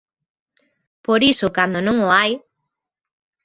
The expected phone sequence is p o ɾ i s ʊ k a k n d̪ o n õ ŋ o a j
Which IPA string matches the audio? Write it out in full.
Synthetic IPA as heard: p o ɾ i s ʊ k a n d̪ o n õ ŋ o a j